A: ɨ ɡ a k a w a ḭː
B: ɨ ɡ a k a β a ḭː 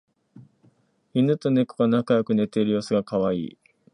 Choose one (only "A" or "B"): B